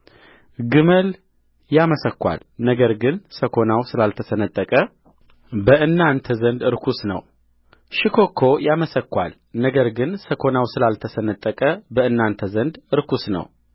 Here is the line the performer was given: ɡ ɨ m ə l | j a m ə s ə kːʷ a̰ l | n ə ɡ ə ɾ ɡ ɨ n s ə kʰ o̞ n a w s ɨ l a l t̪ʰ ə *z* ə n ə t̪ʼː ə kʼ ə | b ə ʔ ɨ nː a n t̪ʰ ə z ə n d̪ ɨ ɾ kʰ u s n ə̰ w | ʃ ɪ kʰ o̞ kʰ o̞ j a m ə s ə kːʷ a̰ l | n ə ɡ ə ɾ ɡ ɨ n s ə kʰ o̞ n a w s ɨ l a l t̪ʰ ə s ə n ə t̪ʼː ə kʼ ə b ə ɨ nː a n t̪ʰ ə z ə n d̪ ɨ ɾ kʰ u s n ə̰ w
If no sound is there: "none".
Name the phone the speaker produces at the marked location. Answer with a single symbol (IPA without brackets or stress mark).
s